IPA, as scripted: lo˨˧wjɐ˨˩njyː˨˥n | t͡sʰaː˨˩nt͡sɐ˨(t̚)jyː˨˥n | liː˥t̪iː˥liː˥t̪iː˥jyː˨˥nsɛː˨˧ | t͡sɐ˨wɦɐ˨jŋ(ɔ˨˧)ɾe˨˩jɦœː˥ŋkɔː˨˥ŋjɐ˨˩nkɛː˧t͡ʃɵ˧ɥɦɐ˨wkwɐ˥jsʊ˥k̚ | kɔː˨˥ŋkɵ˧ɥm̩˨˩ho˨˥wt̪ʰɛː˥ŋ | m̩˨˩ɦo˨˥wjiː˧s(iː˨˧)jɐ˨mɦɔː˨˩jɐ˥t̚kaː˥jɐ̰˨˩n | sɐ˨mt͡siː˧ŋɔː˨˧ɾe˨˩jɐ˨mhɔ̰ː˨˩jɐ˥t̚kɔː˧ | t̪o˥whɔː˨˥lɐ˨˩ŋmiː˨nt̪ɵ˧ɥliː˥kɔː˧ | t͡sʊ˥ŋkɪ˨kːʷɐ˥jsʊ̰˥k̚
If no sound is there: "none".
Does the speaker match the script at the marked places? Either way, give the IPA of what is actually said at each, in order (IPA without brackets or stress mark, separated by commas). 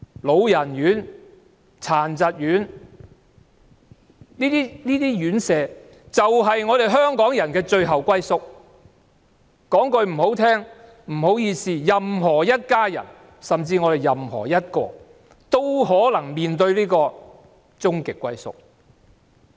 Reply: t̚, ɔː˨˧, iː˨˧